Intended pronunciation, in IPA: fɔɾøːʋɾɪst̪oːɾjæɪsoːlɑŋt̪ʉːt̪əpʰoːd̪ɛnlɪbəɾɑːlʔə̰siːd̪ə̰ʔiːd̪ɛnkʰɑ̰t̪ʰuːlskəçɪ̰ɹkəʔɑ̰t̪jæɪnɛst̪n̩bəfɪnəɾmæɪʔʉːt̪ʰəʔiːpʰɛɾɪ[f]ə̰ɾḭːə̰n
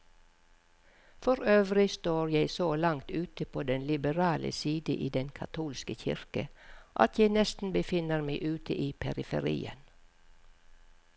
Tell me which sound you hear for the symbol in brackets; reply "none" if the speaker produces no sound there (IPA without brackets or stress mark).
f